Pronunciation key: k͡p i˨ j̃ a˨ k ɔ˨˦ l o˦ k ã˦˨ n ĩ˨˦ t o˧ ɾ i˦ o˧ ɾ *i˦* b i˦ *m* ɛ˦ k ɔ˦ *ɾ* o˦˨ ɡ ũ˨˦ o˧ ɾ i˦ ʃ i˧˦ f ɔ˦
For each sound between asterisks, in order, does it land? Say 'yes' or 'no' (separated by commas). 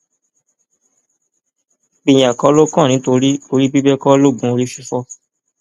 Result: yes, no, no